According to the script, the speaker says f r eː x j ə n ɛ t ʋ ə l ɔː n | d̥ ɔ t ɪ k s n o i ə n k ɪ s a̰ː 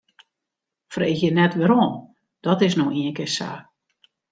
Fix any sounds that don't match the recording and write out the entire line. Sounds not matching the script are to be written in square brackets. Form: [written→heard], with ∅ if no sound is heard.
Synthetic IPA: f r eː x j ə n ɛ t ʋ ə [l→ɾ] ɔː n | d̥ ɔ t ɪ [k→∅] s n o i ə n k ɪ s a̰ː